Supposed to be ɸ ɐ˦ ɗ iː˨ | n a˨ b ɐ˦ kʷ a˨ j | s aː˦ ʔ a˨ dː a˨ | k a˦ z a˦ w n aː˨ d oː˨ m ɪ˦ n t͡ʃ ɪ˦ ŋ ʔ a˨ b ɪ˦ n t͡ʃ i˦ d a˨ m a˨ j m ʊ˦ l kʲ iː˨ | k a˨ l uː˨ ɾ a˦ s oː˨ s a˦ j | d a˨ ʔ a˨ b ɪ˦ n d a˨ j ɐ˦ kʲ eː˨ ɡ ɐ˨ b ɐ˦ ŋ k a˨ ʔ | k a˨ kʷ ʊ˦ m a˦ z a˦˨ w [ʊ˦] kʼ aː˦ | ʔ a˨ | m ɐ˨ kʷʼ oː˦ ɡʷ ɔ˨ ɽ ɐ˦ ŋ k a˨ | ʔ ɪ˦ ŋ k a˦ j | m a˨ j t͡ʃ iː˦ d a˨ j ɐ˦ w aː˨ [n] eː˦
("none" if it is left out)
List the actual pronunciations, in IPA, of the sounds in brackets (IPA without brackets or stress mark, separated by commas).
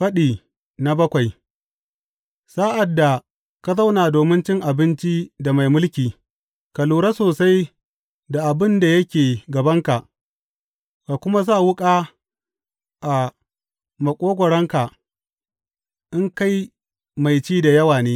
ʊ˦, n